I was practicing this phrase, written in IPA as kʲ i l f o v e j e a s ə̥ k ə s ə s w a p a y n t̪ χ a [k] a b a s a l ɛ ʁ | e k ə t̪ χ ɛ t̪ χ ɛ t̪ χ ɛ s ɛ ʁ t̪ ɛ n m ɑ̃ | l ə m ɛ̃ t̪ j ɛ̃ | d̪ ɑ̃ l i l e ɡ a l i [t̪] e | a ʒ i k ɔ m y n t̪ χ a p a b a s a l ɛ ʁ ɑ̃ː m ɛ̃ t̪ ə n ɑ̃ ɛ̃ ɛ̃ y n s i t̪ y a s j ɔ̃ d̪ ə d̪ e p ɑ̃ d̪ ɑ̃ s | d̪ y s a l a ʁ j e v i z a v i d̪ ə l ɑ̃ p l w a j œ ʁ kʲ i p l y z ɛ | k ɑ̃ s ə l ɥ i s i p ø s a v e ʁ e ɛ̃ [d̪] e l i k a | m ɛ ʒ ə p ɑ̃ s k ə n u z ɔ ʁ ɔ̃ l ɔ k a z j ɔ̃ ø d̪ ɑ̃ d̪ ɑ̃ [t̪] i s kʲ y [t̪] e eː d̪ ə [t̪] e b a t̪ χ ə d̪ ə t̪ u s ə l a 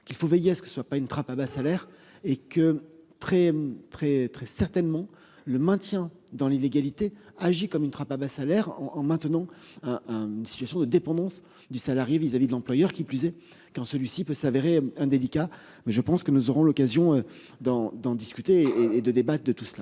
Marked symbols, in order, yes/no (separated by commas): no, yes, yes, no, yes, no